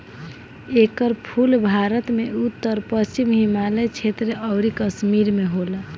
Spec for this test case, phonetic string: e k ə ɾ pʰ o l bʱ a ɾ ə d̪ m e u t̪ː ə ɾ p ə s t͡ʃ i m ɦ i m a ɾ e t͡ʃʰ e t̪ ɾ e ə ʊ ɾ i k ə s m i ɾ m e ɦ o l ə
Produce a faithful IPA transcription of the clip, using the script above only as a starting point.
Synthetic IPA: e k ə ɾ pʰ u l bʱ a ɾ ə t̪ m e u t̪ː ə ɾ p ə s t͡ʃ i m ɦ i m a l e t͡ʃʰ e t̪ ɾ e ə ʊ ɾ i k ə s m i ɾ m e ɦ o l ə

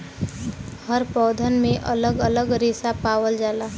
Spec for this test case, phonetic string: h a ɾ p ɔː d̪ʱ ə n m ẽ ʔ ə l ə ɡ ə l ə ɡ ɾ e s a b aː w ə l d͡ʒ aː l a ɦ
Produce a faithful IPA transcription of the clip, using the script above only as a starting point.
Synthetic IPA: h ə ɾ p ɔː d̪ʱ ə n m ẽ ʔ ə l ə ɡ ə l ə ɡ ɾ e s a p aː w ə l d͡ʒ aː l a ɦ

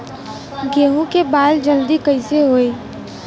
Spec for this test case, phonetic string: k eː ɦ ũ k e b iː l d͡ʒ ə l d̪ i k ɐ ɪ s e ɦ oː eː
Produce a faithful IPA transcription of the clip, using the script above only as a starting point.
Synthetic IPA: ɡ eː ɦ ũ k e b aː l d͡ʒ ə l d̪ i k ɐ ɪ s e ɦ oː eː

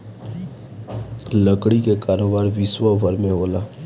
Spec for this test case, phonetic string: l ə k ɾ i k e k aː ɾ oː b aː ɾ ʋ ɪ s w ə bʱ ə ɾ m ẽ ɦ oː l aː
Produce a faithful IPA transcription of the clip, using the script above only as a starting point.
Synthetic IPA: l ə k ɽ i k e k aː ɾ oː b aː ɾ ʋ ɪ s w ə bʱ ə ɾ m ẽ ɦ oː l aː

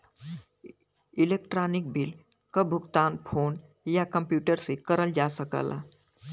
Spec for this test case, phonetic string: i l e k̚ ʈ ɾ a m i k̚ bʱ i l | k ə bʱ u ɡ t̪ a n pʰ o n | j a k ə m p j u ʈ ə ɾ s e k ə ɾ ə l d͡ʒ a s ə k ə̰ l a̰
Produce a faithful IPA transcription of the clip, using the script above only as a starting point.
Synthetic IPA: i l e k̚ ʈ ɾ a n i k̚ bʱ i l | k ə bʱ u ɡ t̪ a n pʰ o n | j a k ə m p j u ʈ ə ɾ s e k ə ɾ ə l d͡ʒ a s ə k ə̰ l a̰

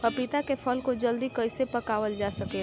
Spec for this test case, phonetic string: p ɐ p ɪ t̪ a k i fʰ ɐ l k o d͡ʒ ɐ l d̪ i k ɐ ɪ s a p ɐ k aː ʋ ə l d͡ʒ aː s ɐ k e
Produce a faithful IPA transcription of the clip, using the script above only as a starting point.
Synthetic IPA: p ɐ p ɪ t̪ a k e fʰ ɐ l k o d͡ʒ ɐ l d̪ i k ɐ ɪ s e p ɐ k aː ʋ ə l d͡ʒ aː s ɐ k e

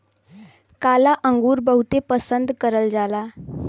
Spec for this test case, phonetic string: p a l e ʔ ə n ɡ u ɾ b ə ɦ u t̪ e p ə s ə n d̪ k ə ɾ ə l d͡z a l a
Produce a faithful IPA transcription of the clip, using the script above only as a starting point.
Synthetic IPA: k a l a ʔ ə ŋ ɡ uː ɾ b ə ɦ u t̪ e p ə s ə n d̪ k ə ɾ ə l d͡z a l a

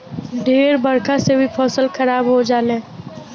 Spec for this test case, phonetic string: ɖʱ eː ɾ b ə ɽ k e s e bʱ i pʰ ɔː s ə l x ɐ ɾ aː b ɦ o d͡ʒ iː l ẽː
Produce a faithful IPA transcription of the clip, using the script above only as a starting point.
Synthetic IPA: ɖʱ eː ɾ b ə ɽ k a s e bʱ i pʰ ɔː s ə l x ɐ ɾ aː b ɦ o d͡ʒ aː l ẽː

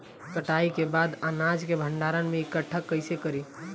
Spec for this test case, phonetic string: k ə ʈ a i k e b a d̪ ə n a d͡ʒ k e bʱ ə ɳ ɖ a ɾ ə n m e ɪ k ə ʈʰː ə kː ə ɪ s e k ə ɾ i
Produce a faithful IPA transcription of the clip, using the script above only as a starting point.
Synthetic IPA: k ə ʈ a i k e b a d̪ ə n a d͡ʒ k e bʱ ə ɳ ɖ a ɾ ə n m e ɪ k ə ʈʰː ə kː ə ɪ s e k ə ɾ i

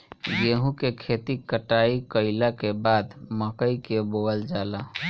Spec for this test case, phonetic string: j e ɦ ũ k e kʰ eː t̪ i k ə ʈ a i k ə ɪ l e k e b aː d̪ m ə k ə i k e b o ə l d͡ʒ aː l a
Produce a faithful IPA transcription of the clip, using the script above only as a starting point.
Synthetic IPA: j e ɦ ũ k e kʰ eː t̪ i k ə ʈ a i k ə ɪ l a k e b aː d̪ m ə k ə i k e b o ə l d͡ʒ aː l a

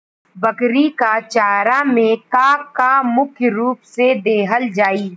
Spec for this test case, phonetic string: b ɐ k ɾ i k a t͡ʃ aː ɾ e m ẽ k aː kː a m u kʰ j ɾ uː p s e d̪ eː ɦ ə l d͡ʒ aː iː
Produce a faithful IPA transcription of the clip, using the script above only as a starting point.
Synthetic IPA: b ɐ k ɾ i k a t͡ʃ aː ɾ a m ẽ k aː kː a m ʊ kʰ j ɾ uː p s e d̪ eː ɦ ə l d͡ʒ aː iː

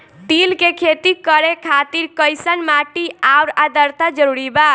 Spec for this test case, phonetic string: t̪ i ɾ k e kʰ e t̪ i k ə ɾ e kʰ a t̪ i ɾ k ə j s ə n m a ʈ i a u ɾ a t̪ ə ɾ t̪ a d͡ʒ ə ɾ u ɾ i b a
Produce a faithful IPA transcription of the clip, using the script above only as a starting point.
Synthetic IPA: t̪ i l k e kʰ e t̪ i k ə ɾ e kʰ a t̪ i ɾ k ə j s ə n m a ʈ i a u ɾ a d̪ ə ɾ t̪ a d͡ʒ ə ɾ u ɾ i b a

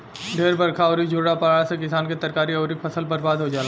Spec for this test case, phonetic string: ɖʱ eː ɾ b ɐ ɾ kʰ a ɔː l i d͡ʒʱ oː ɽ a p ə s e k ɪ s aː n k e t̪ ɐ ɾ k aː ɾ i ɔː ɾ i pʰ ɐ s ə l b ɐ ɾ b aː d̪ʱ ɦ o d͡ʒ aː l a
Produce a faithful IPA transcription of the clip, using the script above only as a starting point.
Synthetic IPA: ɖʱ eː ɾ b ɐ ɾ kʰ a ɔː ɾ i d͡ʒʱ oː ɽ a p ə s e k ɪ s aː n k e t̪ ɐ ɾ k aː ɾ i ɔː ɾ i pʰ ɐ s ə l b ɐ ɾ b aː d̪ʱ ɦ o d͡ʒ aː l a

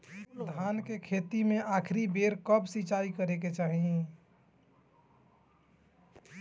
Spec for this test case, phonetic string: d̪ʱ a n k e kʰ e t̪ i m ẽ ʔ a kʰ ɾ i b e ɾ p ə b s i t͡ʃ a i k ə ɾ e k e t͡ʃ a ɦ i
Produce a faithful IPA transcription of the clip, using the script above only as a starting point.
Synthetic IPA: d̪ʱ a n k e kʰ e t̪ i m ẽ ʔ a kʰ ɾ i b e ɾ k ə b s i t͡ʃ a i k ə ɾ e k e t͡ʃ a ɦ i

